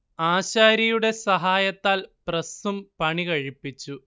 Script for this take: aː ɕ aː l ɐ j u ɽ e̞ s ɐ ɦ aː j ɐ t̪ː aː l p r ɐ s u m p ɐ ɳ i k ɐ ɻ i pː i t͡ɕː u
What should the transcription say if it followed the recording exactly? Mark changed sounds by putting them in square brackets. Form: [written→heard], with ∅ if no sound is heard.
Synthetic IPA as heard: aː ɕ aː [l→ɾ] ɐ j u ɽ e̞ s ɐ ɦ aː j ɐ t̪ː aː l p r ɐ s u m p ɐ ɳ i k ɐ ɻ i pː i t͡ɕː u